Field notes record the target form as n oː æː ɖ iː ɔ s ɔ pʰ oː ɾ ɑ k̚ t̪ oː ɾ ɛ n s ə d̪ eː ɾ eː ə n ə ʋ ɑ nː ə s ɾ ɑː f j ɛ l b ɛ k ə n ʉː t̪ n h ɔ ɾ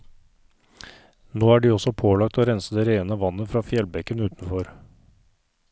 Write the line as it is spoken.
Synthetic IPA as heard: n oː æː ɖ iː ɔ s ɔ pʰ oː l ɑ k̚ t̪ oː ɾ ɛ n s ə d̪ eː ɾ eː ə n ə ʋ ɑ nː ə f ɾ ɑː f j ɛ l b ɛ k ə n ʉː t̪ n f ɔ ɾ